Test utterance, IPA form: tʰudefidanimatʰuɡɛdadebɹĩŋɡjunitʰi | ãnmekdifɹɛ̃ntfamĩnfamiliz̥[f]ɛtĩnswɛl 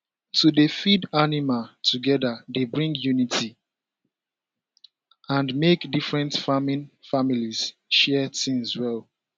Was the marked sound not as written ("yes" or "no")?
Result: yes